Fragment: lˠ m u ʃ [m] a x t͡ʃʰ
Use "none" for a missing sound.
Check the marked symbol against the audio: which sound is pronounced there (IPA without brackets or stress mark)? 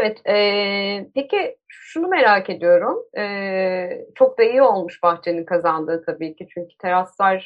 b